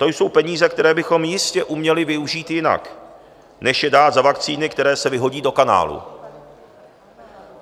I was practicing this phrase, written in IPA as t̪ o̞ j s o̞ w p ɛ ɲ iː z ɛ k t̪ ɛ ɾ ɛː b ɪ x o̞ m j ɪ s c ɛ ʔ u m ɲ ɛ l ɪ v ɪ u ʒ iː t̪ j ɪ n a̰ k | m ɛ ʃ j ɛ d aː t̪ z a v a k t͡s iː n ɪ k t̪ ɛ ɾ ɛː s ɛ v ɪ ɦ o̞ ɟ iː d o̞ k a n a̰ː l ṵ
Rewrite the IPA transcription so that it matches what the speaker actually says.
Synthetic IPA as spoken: t̪ o̞ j s o̞ w p ɛ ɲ iː z ɛ k t̪ ɛ ɾ ɛː b ɪ x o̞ m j ɪ s c ɛ ʔ u m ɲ ɛ l ɪ v ɪ u ʒ iː t̪ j ɪ n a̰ k | n ɛ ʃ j ɛ d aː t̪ z a v a k t͡s iː n ɪ k t̪ ɛ ɾ ɛː s ɛ v ɪ ɦ o̞ ɟ iː d o̞ k a n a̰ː l ṵ